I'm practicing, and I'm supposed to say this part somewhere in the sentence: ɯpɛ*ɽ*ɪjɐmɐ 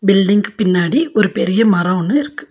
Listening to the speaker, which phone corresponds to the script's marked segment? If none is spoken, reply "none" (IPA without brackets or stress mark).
ɾ